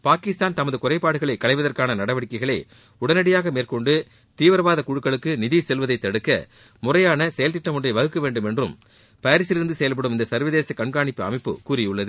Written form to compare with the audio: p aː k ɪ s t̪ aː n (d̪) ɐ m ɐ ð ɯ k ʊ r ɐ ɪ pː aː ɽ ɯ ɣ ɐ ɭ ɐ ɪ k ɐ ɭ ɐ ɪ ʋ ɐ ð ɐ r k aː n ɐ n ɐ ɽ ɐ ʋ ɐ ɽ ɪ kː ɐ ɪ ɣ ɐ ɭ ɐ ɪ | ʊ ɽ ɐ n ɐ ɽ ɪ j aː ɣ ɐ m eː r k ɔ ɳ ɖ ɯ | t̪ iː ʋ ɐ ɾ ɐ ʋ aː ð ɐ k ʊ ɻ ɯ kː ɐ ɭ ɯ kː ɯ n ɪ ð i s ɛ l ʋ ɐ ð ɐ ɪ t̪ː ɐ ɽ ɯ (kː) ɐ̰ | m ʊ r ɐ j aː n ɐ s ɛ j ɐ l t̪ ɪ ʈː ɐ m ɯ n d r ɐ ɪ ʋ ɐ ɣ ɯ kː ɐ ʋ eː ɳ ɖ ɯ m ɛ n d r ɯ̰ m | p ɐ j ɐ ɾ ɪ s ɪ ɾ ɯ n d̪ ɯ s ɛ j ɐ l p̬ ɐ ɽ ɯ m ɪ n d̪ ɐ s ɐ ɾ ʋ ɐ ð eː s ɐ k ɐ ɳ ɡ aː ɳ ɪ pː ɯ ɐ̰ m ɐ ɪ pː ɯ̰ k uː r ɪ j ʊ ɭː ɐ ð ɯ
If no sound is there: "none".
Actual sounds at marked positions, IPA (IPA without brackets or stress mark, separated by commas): t̪, kː